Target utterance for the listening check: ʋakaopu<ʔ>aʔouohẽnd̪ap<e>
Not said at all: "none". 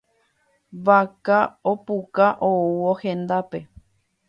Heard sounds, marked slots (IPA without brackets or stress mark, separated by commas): k, e